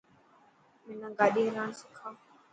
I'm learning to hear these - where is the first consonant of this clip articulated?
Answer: lips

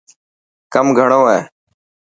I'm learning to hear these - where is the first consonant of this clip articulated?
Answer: velum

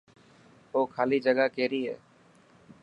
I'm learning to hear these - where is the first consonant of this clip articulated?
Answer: velum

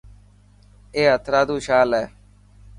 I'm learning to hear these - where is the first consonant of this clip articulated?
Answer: throat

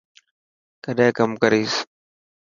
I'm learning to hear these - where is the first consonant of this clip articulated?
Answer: velum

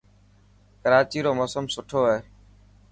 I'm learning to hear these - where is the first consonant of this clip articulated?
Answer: velum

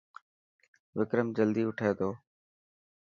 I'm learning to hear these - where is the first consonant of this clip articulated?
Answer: lips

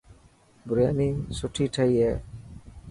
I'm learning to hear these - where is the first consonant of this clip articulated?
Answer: lips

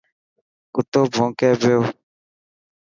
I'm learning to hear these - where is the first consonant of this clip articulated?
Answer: velum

